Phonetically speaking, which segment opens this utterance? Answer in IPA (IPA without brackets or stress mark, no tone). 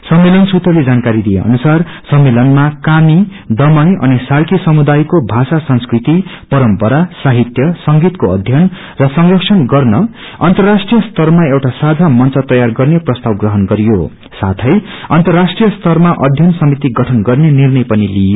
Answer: s